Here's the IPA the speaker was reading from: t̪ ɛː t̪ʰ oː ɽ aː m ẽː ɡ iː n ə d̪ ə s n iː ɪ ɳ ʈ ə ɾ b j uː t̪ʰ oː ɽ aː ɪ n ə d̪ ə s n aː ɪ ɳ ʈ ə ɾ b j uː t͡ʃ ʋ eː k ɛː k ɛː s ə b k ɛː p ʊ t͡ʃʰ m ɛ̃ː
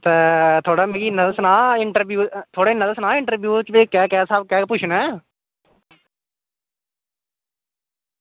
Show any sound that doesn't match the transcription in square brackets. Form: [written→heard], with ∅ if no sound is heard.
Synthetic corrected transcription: t̪ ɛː t̪ʰ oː ɽ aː m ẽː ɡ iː n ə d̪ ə s n [iː→aː] ɪ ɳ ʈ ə ɾ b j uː t̪ʰ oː ɽ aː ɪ n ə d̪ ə s n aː ɪ ɳ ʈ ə ɾ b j uː t͡ʃ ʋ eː k ɛː k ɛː s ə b k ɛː p ʊ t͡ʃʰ [m→n] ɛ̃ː